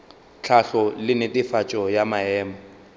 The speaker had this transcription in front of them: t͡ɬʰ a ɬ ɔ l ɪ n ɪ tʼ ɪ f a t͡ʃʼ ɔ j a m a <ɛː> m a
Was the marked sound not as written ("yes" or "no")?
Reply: no